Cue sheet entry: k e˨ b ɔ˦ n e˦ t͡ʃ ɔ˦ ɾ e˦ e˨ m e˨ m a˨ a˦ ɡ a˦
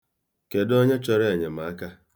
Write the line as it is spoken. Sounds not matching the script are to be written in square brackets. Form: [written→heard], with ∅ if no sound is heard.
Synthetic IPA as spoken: k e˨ [b→d] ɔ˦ [n→ɲ] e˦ t͡ʃ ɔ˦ ɾ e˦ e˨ [m→ɲ] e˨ m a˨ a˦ [ɡ→k] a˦